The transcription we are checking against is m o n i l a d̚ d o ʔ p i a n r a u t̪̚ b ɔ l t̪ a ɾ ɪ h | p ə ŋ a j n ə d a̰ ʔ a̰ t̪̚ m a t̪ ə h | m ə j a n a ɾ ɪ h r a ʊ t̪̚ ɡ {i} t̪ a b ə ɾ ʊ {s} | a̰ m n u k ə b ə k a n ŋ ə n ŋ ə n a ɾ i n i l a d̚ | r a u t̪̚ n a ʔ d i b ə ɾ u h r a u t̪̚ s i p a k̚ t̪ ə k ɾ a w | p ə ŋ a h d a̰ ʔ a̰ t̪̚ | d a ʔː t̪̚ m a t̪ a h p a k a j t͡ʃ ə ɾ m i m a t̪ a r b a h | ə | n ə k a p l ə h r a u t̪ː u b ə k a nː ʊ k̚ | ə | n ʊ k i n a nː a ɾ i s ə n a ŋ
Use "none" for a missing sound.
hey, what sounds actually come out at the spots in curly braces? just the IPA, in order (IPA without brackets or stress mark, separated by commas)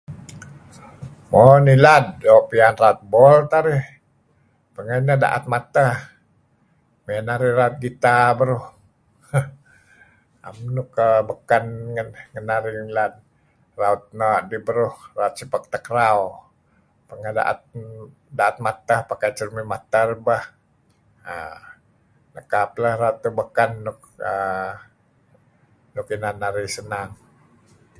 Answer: i, h